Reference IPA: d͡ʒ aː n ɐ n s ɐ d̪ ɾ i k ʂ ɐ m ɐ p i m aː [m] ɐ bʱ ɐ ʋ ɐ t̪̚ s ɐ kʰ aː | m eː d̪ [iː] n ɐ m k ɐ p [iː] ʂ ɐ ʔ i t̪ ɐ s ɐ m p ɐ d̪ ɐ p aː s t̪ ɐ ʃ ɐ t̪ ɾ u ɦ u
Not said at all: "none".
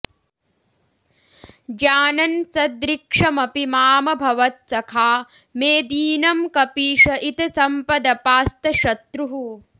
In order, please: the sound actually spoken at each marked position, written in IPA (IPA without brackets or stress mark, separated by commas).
m, iː, iː